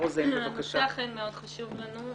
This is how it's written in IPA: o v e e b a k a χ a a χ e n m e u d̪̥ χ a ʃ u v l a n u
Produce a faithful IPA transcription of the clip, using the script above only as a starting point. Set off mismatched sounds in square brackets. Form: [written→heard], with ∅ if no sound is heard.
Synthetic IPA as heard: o [v→z] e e [b→v] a k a [χ→ʃ] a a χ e n m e [u→o] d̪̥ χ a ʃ u v l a n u